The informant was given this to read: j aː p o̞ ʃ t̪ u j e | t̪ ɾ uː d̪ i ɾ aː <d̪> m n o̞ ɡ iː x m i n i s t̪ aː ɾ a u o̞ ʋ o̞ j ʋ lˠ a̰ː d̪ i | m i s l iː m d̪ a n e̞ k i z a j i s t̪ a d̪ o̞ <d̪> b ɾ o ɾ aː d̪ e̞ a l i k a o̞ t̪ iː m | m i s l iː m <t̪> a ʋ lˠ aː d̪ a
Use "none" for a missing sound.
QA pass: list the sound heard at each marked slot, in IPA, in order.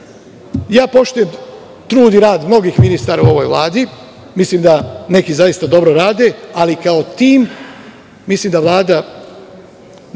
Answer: d̪, none, d̪

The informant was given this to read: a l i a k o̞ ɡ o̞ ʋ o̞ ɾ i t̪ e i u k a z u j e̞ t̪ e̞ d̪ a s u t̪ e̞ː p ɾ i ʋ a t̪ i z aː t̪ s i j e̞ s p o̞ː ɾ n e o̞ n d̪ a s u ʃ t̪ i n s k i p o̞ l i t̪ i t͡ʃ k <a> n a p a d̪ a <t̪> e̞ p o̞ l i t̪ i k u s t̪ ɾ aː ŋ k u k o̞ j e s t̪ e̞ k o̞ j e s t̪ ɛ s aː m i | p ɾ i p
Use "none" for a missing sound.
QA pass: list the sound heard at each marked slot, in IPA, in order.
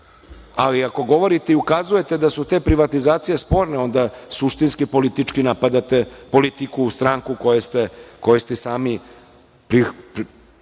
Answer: i, t̪

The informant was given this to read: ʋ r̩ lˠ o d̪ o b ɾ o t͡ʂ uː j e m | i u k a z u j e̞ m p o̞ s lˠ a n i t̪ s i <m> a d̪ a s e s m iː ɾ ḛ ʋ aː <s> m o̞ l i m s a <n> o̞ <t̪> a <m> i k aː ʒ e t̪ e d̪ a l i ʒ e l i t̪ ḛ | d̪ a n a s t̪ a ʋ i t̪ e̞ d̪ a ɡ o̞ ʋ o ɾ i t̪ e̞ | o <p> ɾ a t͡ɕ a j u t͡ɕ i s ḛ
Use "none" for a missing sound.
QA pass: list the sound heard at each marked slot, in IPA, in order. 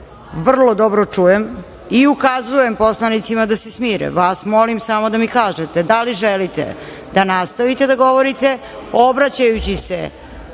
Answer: m, s, m, d̪, m, b

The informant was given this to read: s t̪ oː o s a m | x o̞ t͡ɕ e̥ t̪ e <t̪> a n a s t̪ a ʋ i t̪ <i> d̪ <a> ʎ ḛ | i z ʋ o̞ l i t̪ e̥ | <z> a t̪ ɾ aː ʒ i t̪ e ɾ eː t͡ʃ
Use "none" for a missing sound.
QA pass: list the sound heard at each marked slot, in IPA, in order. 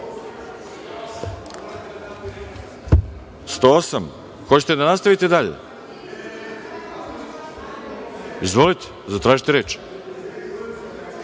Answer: d̪, e, a, z

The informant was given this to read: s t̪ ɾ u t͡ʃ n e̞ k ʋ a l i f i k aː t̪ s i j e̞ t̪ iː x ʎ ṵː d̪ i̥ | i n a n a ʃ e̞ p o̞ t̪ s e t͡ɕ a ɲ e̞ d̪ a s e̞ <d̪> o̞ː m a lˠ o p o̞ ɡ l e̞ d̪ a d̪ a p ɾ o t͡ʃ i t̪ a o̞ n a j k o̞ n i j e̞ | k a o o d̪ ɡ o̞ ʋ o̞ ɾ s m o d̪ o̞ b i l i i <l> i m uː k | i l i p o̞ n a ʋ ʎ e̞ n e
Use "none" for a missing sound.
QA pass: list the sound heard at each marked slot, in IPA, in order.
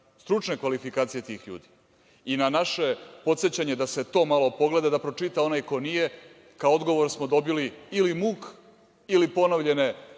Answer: t̪, l

